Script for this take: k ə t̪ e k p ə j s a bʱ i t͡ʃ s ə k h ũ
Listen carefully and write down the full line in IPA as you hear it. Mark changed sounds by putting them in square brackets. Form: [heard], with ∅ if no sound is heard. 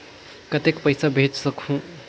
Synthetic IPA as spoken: k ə t̪ e k p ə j s a bʱ [e] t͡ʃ s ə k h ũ